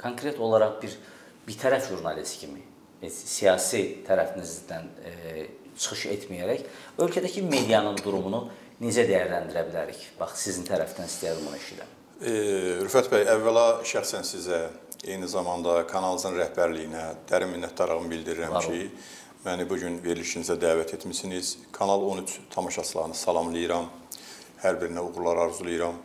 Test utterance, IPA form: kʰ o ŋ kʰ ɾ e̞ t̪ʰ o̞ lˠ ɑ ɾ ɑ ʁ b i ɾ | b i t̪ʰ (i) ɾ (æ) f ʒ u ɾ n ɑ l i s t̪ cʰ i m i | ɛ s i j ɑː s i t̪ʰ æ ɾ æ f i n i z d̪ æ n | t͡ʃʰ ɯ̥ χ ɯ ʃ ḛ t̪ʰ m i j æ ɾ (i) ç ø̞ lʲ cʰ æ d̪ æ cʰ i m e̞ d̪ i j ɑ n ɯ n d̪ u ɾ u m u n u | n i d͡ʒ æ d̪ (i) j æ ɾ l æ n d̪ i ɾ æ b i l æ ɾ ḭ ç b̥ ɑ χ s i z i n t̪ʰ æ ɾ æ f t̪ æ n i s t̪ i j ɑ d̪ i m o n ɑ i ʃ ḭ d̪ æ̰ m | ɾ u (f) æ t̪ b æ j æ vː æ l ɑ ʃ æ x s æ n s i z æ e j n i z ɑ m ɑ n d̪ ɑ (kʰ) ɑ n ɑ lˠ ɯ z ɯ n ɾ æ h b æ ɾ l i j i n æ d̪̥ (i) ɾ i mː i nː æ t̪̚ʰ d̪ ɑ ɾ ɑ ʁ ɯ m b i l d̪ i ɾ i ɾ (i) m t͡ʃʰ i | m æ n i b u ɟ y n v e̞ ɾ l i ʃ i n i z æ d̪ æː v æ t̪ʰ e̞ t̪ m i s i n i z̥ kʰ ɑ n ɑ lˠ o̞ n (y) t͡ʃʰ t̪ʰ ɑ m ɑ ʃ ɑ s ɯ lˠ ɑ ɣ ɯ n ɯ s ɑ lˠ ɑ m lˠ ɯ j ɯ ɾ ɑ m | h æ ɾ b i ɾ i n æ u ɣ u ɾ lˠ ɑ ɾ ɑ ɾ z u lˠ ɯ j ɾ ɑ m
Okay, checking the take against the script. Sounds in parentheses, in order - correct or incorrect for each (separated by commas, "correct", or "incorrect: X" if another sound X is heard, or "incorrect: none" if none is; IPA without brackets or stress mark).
incorrect: æ, correct, incorrect: æ, incorrect: æ, correct, correct, incorrect: æ, incorrect: æ, correct